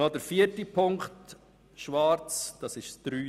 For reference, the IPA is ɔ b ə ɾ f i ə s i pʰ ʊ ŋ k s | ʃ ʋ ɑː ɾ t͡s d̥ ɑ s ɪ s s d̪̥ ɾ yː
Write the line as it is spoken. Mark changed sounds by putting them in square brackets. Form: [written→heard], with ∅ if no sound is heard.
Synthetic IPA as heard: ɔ [b→d] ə ɾ f i ə [s→t] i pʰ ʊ ŋ k [s→t] | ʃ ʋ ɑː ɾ t͡s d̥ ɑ s ɪ [s→ʃ] s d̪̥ ɾ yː